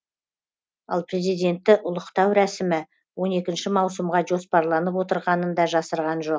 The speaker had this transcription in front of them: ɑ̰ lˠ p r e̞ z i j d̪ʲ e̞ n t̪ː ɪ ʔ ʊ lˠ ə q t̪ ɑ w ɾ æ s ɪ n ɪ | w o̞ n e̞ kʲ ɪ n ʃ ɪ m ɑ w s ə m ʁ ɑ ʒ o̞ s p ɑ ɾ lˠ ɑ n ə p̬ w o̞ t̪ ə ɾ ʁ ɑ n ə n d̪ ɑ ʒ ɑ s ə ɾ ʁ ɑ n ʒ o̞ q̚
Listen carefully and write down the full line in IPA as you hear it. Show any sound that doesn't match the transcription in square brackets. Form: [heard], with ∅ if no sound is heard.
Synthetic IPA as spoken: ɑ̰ lˠ p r e̞ z i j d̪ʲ e̞ n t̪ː ɪ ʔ ʊ lˠ ə q t̪ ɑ w ɾ æ s ɪ [m] ɪ | w o̞ n e̞ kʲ ɪ n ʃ ɪ m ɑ w s ə m ʁ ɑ ʒ o̞ s p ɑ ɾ lˠ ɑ n ə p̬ w o̞ t̪ ə ɾ ʁ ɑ n ə n d̪ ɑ ʒ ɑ s ə ɾ ʁ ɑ n ʒ o̞ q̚